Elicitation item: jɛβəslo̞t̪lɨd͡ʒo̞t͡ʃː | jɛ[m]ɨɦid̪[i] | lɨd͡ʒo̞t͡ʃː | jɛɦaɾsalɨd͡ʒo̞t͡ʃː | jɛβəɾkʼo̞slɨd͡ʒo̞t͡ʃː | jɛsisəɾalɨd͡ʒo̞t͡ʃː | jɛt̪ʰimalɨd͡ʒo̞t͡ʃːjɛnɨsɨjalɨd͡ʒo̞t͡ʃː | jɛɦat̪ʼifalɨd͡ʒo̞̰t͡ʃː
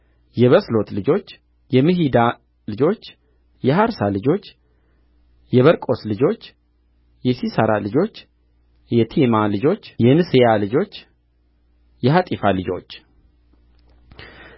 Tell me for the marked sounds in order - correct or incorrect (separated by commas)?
correct, incorrect